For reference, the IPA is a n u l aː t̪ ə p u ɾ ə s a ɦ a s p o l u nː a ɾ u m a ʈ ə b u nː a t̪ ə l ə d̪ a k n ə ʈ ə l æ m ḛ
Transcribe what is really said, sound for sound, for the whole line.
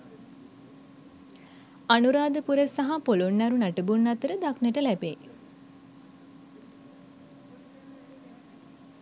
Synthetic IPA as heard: a n u ɾ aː d̪ ə p u ɾ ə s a ɦ a p o l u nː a ɾ u n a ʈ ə b u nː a t̪ ə ɾ ə d̪ a k n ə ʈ ə l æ b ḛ